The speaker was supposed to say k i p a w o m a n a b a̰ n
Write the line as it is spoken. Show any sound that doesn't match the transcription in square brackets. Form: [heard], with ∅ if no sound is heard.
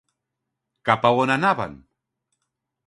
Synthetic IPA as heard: k [a] p a w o [n] a n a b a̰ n